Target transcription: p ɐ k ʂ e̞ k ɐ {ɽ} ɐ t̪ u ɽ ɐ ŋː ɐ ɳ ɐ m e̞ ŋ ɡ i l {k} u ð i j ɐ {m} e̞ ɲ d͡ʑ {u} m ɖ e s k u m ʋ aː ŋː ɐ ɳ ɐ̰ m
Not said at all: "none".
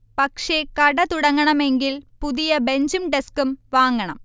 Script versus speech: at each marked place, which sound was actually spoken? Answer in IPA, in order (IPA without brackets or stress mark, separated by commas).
ɽ, p, b, u